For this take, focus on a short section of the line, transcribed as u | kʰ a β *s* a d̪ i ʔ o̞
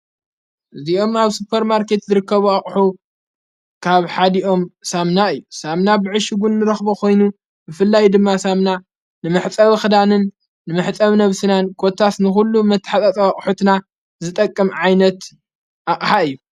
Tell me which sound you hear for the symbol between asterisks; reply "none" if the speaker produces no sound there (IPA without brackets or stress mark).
ħ